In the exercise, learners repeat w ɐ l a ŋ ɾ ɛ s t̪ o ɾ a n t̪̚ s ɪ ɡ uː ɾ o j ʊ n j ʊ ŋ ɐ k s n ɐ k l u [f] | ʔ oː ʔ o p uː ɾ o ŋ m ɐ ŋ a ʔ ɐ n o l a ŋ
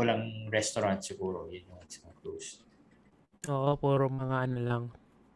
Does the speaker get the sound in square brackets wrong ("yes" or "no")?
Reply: yes